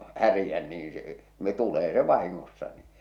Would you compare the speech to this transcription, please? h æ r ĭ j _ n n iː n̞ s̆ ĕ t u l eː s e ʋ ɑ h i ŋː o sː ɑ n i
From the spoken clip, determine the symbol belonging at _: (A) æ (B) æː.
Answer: A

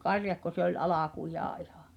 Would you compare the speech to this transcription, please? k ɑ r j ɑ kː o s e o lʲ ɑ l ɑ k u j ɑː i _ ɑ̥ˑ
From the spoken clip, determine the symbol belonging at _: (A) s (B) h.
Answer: B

